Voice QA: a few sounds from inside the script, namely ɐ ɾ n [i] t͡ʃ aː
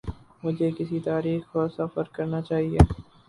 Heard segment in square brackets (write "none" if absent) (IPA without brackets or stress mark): a